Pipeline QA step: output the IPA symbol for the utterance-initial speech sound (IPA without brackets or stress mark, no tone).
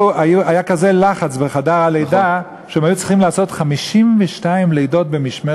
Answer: a